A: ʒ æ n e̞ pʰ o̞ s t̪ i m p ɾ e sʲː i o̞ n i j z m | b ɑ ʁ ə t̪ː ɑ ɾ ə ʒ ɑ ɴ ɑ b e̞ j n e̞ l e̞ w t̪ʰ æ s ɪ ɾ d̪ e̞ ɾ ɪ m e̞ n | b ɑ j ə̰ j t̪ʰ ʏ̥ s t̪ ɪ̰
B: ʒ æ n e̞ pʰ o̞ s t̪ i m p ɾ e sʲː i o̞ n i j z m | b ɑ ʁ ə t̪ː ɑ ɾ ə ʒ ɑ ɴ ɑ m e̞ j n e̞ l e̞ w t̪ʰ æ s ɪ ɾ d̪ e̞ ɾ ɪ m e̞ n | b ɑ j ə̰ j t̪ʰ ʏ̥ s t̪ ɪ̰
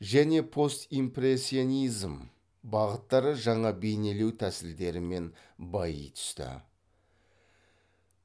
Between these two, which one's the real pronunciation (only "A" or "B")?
A